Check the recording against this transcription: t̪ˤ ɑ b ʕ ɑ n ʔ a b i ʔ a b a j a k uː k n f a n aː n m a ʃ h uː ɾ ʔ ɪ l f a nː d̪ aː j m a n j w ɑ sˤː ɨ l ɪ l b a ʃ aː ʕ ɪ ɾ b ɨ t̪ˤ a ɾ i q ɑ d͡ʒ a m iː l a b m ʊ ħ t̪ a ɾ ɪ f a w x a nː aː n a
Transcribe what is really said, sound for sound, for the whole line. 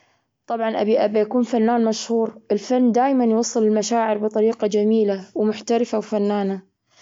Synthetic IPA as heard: t̪ˤ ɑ b ʕ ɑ n ʔ a b i ʔ a b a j a k uː n f a nː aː n m a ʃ h uː ɾ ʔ ɪ l f a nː d̪ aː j m a n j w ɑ sˤː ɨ l ɪ l m a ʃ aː ʕ ɪ ɾ b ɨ t̪ˤ ɑ ɾ iː q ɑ d͡ʒ a m iː l a w m ʊ ħ t̪ a ɾ ɪ f a w f a nː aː n a